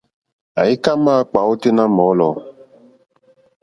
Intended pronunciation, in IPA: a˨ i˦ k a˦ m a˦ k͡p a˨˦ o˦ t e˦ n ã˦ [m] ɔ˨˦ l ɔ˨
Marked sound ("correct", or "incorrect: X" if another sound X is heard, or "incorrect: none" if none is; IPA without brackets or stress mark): correct